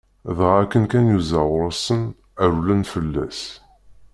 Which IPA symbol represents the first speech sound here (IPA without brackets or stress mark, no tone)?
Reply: ð